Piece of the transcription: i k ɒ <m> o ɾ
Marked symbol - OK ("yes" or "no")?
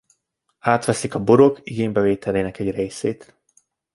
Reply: no